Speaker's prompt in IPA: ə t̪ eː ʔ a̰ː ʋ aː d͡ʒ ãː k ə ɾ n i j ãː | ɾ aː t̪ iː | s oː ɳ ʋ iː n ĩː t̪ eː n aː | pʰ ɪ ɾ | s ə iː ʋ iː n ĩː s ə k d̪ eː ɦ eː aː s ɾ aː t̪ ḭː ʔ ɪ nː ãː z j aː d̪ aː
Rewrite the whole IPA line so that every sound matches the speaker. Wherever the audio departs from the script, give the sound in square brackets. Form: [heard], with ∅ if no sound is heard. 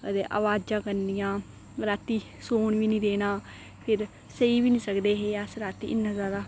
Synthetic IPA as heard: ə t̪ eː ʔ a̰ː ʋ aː d͡ʒ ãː k ə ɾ n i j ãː | ɾ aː t̪ iː | s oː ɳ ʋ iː n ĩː [d̪] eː n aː | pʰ ɪ ɾ | s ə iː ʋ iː n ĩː s ə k d̪ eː ɦ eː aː s ɾ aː t̪ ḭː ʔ ɪ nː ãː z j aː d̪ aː

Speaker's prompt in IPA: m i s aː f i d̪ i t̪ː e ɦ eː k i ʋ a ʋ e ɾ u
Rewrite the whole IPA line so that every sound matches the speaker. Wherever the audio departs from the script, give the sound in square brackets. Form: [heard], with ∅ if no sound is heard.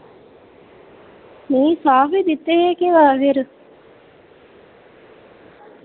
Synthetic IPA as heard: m [iː] s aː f i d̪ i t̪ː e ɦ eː k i ʋ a ʋ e ɾ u

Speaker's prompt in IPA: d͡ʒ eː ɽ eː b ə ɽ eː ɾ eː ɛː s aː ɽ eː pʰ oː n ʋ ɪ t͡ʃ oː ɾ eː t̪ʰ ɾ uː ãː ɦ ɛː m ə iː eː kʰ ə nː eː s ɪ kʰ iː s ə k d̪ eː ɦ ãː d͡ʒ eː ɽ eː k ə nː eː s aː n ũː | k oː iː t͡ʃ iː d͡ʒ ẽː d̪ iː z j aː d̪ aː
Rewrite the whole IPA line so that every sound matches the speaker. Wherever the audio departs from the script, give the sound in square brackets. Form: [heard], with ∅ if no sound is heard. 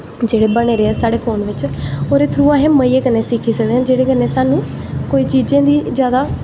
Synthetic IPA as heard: d͡ʒ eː ɽ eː b ə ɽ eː ɾ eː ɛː s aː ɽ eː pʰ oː n ʋ ɪ t͡ʃ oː ɾ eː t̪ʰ ɾ uː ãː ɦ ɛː m ə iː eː [k] ə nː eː s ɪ kʰ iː s ə k d̪ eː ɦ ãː d͡ʒ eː ɽ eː k ə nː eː s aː n ũː | k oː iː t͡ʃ iː d͡ʒ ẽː d̪ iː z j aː d̪ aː

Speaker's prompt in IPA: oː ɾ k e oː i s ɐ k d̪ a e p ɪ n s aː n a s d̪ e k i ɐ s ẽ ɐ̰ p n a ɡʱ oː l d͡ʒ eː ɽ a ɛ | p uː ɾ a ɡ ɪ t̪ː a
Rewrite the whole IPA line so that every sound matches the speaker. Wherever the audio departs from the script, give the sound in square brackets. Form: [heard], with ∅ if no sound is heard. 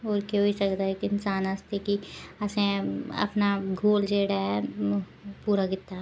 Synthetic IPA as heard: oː ɾ k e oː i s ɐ k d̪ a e [k] ɪ n s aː n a s [t̪] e k i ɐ s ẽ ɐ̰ p n a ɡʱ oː l d͡ʒ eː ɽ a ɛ | p uː ɾ a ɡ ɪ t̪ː a

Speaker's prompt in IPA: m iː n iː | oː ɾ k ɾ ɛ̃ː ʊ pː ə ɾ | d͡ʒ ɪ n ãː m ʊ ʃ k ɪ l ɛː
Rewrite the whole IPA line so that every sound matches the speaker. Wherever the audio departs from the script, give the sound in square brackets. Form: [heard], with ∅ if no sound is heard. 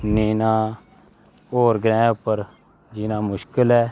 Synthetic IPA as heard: [n] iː n [aː] | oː ɾ [ɡ] ɾ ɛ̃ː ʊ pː ə ɾ | d͡ʒ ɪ n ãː m ʊ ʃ k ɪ l ɛː

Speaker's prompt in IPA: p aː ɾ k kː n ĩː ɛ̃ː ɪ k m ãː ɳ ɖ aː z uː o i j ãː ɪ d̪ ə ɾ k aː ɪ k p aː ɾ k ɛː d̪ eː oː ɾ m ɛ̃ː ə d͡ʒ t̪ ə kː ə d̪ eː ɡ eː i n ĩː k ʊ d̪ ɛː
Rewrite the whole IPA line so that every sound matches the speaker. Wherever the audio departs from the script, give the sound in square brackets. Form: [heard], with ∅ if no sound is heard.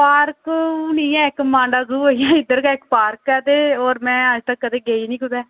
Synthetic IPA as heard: p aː ɾ k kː n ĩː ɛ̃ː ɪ k m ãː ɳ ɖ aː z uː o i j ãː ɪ d̪ ə ɾ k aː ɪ k p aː ɾ k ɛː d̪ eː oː ɾ m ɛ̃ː ə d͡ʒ t̪ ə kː ə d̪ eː ɡ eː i n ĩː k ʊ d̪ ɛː

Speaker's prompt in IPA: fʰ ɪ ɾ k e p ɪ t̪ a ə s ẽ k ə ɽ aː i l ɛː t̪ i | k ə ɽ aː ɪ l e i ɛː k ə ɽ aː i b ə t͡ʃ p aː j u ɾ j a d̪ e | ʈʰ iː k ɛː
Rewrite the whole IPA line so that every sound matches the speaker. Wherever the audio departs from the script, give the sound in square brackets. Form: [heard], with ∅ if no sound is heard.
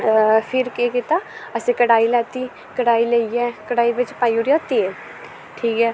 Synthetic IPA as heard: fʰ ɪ ɾ k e [k] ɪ t̪ a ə s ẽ k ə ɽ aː i l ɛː t̪ i | k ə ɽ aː [i] l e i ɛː k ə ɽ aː i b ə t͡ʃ p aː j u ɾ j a [t̪] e | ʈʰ iː k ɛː

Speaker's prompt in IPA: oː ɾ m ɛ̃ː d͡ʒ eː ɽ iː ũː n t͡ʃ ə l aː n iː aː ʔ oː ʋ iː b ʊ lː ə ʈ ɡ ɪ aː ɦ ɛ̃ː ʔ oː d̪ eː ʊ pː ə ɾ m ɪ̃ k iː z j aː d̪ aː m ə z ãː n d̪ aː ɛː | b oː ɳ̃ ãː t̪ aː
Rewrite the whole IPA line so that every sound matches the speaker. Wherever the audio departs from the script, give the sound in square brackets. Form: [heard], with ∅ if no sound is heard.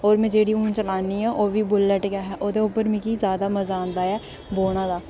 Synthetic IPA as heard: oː ɾ m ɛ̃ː d͡ʒ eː ɽ iː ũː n t͡ʃ ə l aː n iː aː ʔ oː ʋ iː b ʊ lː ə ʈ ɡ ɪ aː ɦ [ɛː] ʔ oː d̪ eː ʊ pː ə ɾ m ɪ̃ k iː z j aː d̪ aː m ə z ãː n d̪ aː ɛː | b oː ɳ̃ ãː [d̪] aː

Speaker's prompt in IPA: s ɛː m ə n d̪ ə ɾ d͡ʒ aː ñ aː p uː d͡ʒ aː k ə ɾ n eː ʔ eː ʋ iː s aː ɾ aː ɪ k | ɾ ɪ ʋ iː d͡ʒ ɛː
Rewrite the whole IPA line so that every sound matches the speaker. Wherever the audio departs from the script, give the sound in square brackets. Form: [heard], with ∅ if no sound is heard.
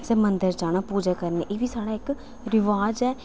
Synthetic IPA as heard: s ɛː m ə n d̪ ə ɾ d͡ʒ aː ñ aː p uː d͡ʒ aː k ə ɾ n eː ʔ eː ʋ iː s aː [ɽ] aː ɪ k | ɾ ɪ ʋ [aː] d͡ʒ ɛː

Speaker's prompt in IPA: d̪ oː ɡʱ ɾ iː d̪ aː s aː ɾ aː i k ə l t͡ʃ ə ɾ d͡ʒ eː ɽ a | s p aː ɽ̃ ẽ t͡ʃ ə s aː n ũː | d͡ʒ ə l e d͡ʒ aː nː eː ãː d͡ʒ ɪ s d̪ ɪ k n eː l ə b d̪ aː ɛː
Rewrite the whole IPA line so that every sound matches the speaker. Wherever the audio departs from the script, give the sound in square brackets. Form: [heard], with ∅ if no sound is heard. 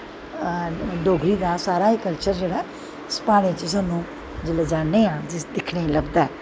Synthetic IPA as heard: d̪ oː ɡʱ ɾ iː d̪ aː s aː ɾ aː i k ə l t͡ʃ ə ɾ d͡ʒ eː ɽ a | s p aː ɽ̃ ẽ t͡ʃ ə s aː n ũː | d͡ʒ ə l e d͡ʒ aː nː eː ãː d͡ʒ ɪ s d̪ ɪ [kʰ] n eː l ə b d̪ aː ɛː

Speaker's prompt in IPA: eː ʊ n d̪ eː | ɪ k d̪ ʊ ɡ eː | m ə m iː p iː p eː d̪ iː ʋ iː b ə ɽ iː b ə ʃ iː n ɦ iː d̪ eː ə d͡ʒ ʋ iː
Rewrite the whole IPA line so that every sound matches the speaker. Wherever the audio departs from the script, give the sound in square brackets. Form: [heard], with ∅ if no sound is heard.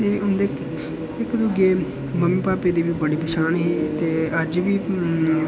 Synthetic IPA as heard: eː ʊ n d̪ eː | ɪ k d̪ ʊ ɡ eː | m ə m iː p [aː] p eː d̪ iː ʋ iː b ə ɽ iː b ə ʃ [aː] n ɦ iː [t̪] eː ə d͡ʒ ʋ iː

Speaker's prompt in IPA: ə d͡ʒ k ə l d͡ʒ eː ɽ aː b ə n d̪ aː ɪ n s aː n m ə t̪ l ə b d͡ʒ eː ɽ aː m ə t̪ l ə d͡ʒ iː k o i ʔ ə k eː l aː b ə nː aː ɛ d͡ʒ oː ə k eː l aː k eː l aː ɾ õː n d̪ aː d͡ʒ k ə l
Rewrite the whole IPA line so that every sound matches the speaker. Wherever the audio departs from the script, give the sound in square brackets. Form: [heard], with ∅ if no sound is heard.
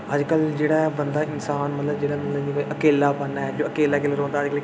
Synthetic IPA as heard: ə d͡ʒ k ə l d͡ʒ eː ɽ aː b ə n d̪ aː ɪ n s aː n m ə t̪ l ə b d͡ʒ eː ɽ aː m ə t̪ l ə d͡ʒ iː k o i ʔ ə k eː l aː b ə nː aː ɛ d͡ʒ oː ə k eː l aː k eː l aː ɾ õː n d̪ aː d͡ʒ k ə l

